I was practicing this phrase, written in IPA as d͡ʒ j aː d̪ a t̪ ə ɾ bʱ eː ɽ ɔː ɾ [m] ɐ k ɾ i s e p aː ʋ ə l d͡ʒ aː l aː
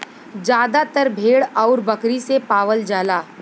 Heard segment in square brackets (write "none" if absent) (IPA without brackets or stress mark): b